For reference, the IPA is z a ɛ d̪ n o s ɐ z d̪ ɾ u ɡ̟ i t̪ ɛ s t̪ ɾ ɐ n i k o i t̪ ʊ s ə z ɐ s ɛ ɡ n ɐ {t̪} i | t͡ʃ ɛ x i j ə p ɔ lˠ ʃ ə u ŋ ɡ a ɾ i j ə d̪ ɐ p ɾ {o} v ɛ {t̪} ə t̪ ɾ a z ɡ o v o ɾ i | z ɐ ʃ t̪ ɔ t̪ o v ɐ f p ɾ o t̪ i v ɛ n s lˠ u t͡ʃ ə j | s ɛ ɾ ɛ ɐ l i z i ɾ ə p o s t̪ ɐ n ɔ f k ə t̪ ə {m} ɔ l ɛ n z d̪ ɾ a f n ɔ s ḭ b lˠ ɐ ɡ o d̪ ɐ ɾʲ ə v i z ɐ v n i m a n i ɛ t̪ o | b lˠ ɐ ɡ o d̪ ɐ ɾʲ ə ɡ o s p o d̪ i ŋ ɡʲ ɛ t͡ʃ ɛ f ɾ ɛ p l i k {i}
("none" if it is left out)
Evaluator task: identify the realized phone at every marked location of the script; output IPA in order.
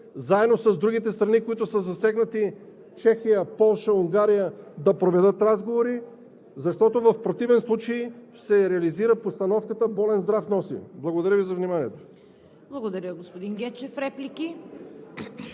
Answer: t̪, o, d̪, b, i

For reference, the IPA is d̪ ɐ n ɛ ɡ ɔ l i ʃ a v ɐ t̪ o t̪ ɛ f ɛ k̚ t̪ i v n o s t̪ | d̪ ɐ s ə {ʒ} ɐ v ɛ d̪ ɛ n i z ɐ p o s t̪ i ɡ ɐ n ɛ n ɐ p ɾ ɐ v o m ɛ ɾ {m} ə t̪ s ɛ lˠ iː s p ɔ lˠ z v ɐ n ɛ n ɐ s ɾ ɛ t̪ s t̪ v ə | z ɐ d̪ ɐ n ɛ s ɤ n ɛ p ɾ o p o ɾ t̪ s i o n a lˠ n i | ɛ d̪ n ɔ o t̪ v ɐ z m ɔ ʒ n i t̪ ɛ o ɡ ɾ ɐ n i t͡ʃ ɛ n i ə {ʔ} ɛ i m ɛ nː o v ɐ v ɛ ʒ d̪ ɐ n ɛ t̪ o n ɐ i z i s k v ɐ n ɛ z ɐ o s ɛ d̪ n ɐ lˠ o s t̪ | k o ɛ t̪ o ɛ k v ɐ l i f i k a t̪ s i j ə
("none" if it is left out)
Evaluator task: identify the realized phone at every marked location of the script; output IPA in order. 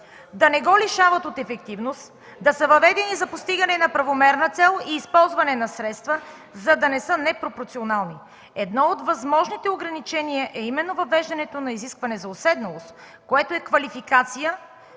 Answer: v, n, ʔ

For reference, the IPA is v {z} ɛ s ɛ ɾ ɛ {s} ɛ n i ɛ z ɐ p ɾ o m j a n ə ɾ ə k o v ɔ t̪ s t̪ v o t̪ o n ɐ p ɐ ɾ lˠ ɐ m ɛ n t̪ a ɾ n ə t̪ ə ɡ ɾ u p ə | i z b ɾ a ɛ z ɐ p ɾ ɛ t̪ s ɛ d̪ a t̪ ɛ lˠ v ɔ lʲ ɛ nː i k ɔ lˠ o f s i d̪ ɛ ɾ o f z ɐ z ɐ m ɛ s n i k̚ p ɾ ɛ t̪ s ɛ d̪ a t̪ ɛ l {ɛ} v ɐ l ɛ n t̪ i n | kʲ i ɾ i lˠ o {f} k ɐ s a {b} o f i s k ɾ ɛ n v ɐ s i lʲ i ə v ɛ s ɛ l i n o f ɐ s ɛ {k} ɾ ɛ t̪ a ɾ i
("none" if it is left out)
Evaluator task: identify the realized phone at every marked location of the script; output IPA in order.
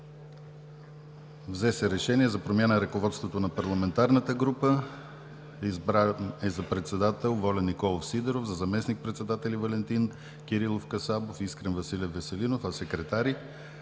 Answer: z, ʃ, i, f, b, k

